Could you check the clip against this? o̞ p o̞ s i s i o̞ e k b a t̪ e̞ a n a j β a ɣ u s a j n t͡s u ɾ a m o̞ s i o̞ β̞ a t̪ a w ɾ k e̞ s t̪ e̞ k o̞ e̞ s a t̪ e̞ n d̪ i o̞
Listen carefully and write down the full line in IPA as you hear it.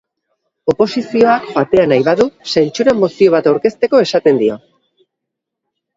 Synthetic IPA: o̞ p o̞ s i s i o̞ a k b a t̪ e̞ a n a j β a ð u s a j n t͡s u ɾ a m o̞ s i o̞ β̞ a t̪ a w ɾ k e̞ s t̪ e̞ k o̞ e̞ s a t̪ e̞ n d̪ i o̞